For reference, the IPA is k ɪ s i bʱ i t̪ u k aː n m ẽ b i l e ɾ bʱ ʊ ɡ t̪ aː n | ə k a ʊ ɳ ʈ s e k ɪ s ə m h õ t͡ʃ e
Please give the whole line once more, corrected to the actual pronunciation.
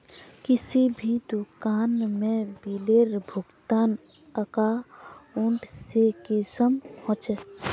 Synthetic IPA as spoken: k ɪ s i bʱ i d̪ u k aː n m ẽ b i l e ɾ bʱ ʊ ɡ t̪ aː n | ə k a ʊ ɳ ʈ s e k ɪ s ə m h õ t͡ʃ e